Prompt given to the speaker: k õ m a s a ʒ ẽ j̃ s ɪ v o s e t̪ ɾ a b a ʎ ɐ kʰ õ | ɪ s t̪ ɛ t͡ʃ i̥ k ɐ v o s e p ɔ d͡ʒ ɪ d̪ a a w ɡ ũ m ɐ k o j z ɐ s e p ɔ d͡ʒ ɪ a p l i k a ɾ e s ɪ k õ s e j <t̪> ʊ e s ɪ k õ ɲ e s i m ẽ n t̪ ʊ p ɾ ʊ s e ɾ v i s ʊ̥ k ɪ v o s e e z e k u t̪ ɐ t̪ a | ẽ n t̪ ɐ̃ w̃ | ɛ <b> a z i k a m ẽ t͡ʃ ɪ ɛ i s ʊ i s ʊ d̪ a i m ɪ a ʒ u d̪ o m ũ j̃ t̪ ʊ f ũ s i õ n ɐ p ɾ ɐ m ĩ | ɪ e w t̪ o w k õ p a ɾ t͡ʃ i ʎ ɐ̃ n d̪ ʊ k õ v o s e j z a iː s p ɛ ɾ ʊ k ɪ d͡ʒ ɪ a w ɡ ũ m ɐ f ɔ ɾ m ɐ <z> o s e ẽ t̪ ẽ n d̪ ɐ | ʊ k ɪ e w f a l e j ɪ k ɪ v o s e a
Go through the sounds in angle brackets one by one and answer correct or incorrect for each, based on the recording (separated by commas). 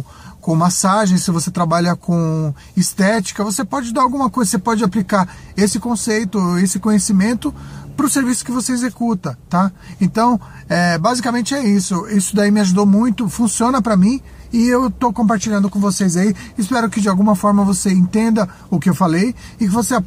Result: correct, correct, incorrect